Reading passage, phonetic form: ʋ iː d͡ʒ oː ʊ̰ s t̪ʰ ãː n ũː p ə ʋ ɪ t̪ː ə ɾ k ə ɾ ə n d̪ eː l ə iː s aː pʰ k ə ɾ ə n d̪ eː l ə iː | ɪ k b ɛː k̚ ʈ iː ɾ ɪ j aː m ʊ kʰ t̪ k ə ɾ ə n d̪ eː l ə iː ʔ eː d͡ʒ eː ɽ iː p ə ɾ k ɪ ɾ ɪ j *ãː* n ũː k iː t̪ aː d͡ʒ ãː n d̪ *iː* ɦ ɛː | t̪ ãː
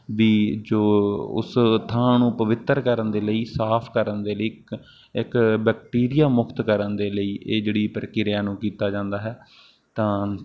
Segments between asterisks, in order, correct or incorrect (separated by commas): incorrect, incorrect